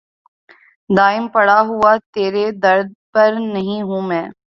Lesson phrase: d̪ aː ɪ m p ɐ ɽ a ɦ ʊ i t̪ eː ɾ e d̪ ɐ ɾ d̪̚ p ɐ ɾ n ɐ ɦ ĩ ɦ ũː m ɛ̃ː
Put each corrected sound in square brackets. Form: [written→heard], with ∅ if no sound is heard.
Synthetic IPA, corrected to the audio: d̪ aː ɪ m p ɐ ɽ a ɦ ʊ [i→a] t̪ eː ɾ e d̪ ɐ ɾ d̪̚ p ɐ ɾ n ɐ ɦ ĩ ɦ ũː m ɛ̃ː

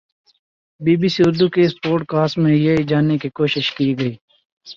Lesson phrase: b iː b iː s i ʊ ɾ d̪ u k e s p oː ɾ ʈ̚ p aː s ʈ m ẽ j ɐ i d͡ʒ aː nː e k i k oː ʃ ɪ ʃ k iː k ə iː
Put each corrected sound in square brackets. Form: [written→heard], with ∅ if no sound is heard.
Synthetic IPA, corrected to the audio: b iː b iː s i ʊ ɾ d̪ u k e s p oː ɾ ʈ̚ [p→k] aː s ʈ m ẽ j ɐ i d͡ʒ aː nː e k i k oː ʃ ɪ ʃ k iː [k→ɡ] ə iː

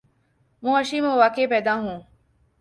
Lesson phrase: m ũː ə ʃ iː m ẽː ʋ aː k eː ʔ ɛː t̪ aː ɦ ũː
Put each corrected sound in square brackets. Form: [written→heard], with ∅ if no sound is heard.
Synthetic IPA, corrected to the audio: m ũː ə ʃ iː m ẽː ʋ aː k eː [ʔ→p] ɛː [t̪→d̪] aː ɦ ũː

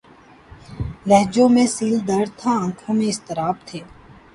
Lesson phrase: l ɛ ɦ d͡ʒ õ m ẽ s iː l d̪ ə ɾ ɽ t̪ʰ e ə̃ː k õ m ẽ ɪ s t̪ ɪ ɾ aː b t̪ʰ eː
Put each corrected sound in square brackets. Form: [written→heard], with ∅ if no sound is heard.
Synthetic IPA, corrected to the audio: l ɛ ɦ d͡ʒ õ m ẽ s iː l d̪ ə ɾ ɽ t̪ʰ [e→a] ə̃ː [k→kʰ] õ m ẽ ɪ s t̪ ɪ ɾ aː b t̪ʰ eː

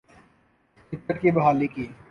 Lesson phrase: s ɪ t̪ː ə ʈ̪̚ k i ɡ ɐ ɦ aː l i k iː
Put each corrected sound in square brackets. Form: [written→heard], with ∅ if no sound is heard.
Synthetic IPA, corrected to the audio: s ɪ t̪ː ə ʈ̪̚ k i [ɡ→b] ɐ ɦ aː l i k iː

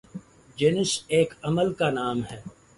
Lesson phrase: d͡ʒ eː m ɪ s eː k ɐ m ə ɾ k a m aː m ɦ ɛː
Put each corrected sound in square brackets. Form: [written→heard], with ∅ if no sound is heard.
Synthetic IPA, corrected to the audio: d͡ʒ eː [m→n] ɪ s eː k ɐ m ə [ɾ→l] k a [m→n] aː m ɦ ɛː

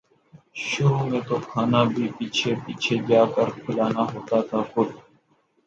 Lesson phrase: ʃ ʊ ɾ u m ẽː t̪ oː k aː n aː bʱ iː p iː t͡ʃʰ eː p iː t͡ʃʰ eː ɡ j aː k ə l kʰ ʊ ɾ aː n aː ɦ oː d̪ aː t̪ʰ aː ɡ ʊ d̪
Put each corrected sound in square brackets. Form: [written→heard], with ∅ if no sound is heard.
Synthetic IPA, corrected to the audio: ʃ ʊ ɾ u m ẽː t̪ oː [k→kʰ] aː n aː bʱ iː p iː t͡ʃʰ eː p iː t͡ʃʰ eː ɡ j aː k ə [l→ɾ] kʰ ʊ [ɾ→l] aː n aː ɦ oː [d̪→t̪] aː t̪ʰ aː [ɡ→k] ʊ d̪

